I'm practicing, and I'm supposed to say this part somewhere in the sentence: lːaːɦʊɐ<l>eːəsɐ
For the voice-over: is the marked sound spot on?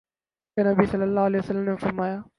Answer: yes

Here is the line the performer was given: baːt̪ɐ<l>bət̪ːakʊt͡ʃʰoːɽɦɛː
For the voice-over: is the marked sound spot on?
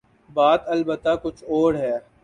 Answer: yes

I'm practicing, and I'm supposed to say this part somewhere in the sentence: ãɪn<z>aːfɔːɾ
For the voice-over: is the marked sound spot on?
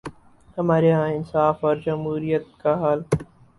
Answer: no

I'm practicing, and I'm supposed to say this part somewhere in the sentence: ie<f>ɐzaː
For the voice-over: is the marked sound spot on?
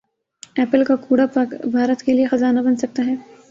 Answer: no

